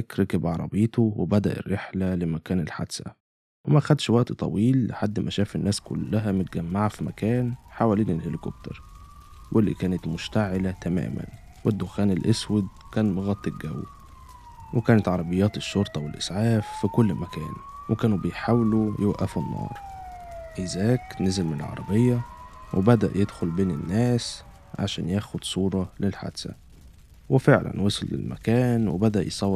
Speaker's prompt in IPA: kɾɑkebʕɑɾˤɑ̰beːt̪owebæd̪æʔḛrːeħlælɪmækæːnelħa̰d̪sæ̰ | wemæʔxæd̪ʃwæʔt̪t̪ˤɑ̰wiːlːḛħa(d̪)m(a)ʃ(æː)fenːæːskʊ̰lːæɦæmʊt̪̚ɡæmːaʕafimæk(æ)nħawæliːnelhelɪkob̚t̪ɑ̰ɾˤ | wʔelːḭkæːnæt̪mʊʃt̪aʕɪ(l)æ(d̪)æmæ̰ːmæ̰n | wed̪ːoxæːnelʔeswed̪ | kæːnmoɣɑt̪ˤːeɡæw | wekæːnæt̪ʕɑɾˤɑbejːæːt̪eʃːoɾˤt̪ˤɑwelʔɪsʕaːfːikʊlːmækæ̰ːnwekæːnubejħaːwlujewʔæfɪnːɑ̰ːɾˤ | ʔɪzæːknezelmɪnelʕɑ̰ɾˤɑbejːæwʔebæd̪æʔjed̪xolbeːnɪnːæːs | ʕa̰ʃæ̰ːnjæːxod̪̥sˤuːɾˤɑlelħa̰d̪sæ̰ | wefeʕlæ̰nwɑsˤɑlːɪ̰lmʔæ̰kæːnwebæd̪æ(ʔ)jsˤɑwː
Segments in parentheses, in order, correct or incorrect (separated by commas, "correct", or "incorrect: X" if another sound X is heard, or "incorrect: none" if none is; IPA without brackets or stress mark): incorrect: d̪ː, incorrect: æ, correct, incorrect: æː, correct, incorrect: t̪, correct